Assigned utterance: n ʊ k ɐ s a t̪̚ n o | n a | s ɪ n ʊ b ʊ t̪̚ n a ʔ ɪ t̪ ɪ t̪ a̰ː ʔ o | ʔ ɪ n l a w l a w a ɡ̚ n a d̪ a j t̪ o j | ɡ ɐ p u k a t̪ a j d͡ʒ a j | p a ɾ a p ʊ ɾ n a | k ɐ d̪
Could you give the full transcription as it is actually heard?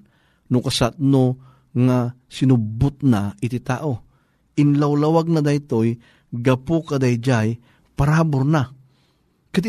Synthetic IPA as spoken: n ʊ k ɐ s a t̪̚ n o | ŋ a | s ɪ n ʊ b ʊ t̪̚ n a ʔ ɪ t̪ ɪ t̪ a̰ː ʔ o | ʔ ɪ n l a w l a w a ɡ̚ n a d̪ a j t̪ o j | ɡ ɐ p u k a d̪ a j d͡ʒ a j | p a ɾ a b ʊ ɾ n a | k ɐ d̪